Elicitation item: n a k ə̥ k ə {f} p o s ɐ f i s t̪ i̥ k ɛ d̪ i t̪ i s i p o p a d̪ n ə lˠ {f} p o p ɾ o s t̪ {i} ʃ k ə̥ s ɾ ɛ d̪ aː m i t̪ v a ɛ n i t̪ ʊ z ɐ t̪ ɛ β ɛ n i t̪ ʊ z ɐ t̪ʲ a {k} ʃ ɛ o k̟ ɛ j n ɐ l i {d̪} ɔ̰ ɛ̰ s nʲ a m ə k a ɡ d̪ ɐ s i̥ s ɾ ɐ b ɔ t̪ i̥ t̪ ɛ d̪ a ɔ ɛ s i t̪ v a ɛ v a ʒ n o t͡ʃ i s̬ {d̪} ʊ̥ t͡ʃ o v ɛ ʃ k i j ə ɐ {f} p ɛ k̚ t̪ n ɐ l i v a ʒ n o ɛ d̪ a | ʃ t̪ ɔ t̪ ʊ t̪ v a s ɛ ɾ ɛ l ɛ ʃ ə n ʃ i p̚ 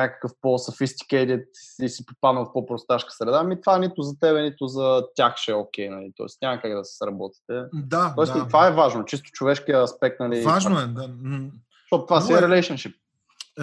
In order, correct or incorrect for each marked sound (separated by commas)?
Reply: correct, correct, incorrect, incorrect, incorrect, incorrect, incorrect